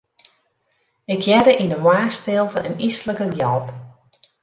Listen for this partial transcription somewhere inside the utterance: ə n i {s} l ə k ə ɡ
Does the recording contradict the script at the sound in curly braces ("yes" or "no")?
no